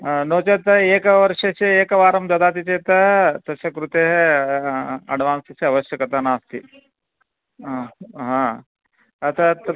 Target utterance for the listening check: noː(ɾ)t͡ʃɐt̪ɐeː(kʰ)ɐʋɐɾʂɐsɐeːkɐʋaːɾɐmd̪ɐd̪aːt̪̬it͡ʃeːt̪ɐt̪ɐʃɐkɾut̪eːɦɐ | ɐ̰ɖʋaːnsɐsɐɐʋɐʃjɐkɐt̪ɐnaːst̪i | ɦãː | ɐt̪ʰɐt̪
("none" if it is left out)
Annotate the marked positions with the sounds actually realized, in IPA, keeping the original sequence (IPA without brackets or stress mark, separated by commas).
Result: none, k